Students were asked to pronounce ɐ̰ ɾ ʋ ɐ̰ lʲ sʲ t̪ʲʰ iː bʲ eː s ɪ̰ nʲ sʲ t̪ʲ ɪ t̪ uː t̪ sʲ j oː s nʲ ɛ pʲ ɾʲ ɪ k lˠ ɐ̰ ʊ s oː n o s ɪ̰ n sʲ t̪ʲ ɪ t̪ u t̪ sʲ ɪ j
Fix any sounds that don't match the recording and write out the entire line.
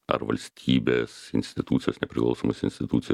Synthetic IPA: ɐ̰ ɾ ʋ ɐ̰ lʲ sʲ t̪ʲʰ iː bʲ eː s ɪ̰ nʲ sʲ t̪ʲ ɪ t̪ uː t̪ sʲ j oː s nʲ ɛ pʲ ɾʲ ɪ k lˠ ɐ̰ ʊ s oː m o s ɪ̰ n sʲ t̪ʲ ɪ t̪ u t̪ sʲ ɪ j

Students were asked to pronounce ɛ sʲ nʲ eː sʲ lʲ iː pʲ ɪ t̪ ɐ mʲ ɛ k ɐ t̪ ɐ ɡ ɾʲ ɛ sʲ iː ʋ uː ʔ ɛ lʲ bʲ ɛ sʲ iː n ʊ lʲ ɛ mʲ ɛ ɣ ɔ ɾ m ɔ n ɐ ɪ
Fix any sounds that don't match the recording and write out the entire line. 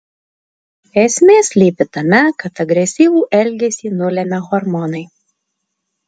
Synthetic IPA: ɛ sʲ mʲ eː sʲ lʲ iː pʲ ɪ t̪ ɐ mʲ ɛ k ɐ t̪ ɐ ɡ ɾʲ ɛ sʲ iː ʋ uː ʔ ɛ lʲ ɡʲ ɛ sʲ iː n ʊ lʲ ɛ mʲ ɛ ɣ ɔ ɾ m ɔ n ɐ ɪ

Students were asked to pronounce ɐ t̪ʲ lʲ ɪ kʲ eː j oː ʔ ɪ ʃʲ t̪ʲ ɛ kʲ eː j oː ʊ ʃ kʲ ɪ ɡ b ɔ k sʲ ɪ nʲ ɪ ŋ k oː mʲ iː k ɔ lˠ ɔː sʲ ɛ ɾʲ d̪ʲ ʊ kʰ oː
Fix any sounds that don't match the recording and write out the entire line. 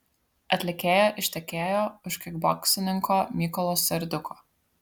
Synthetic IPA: ɐ t̪ʲ lʲ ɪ kʲ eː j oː ʔ ɪ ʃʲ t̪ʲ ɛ kʲ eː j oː ʊ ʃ kʲ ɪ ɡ b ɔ k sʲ ɪ nʲ ɪ ŋ k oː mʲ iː k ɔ lˠ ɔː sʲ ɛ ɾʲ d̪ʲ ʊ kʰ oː

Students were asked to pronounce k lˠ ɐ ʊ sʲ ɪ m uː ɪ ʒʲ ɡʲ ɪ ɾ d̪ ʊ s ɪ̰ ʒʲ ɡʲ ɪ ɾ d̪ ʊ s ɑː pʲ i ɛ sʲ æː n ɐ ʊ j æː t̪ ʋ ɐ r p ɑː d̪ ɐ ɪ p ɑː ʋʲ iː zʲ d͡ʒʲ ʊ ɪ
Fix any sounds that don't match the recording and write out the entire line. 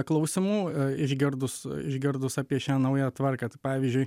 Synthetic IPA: k lˠ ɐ ʊ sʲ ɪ m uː ɪ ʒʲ ɡʲ ɪ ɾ d̪ ʊ s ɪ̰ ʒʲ ɡʲ ɪ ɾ d̪ ʊ s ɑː pʲ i ɛ ʃʲ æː n ɐ ʊ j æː t̪ ʋ ɐ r k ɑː t̪ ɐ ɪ p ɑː ʋʲ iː zʲ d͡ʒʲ ʊ ɪ

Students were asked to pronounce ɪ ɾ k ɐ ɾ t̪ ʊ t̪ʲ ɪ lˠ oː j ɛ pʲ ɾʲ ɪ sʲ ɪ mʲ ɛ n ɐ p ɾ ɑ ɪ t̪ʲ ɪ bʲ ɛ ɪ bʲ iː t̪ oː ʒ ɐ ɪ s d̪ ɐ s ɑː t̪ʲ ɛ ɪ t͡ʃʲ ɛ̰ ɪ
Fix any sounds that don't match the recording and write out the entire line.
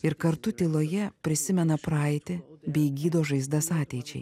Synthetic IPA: ɪ ɾ k ɐ ɾ t̪ ʊ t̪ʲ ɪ lˠ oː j ɛ pʲ ɾʲ ɪ sʲ ɪ mʲ ɛ n ɐ p ɾ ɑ ɪ t̪ʲ ɪ bʲ ɛ ɪ ɡʲ iː d̪ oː ʒ ɐ ɪ z d̪ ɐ s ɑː t̪ʲ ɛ ɪ t͡ʃʲ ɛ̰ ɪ

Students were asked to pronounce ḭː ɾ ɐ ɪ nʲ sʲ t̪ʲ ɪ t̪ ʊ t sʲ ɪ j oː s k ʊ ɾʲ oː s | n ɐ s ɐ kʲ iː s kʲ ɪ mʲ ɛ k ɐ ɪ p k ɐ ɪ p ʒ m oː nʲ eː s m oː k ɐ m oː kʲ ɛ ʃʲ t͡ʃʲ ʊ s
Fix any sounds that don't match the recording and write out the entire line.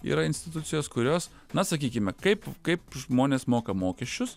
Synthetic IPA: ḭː ɾ ɐ ɪ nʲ sʲ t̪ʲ ɪ t̪ ʊ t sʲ ɪ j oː s k ʊ ɾʲ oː s | n ɐ s ɐ kʲ iː kʲ ɪ mʲ ɛ k ɐ ɪ p k ɐ ɪ p ʒ m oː nʲ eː s m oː k ɐ m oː kʲ ɛ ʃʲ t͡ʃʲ ʊ s

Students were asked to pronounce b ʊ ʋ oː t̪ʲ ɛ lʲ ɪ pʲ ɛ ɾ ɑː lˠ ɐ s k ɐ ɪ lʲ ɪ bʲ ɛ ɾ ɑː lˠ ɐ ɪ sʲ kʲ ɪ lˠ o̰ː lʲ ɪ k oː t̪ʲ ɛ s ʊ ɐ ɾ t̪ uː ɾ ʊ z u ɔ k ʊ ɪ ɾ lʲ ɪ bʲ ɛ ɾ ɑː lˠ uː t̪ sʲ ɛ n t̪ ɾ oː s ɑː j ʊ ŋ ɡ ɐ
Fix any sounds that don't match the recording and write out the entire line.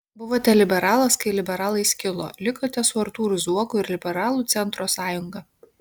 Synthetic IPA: b ʊ ʋ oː t̪ʲ ɛ lʲ ɪ bʲ ɛ ɾ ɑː lˠ ɐ s k ɐ ɪ lʲ ɪ bʲ ɛ ɾ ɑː lˠ ɐ ɪ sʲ kʲ ɪ lˠ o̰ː lʲ ɪ k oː t̪ʲ ɛ s ʊ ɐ ɾ t̪ uː ɾ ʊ z u ɔ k ʊ ɪ ɾ lʲ ɪ bʲ ɛ ɾ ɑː lˠ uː t̪ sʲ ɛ n t̪ ɾ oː s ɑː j ʊ ŋ ɡ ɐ

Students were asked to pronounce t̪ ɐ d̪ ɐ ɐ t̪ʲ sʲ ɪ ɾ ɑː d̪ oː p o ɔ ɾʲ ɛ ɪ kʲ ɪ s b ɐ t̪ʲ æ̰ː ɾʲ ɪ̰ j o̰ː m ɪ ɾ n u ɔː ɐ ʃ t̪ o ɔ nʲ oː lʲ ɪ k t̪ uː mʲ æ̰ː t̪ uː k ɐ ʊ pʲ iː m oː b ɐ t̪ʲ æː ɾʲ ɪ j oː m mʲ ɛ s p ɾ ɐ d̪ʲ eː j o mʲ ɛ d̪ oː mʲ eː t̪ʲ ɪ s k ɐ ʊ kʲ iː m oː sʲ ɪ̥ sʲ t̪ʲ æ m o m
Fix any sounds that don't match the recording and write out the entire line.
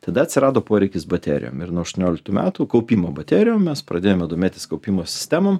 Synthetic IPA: t̪ ɐ d̪ ɐ ɐ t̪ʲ sʲ ɪ ɾ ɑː d̪ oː p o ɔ ɾʲ ɛ ɪ kʲ ɪ s b ɐ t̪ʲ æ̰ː ɾʲ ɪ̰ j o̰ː m ɪ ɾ n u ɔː ɐ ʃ t̪ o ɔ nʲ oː lʲ ɪ k t̪ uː mʲ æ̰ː t̪ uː k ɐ ʊ pʲ iː m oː b ɐ t̪ʲ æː ɾʲ ɪ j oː m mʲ ɛ s p ɾ ɐ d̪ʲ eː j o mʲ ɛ d̪ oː mʲ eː t̪ʲ ɪ s k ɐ ʊ pʲ iː m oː sʲ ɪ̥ sʲ t̪ʲ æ m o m

